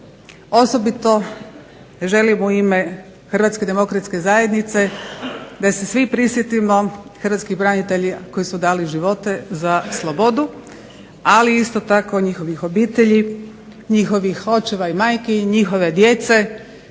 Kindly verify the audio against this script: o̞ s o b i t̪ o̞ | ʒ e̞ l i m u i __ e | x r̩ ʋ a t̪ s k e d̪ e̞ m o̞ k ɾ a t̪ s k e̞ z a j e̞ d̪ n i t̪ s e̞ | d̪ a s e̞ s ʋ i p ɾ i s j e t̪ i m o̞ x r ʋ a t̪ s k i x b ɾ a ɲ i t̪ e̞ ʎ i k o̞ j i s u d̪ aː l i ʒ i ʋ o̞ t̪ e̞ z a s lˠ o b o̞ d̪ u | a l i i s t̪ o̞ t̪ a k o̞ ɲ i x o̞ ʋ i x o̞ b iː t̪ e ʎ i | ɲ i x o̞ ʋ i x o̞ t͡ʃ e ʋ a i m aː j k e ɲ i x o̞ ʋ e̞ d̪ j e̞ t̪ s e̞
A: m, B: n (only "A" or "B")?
A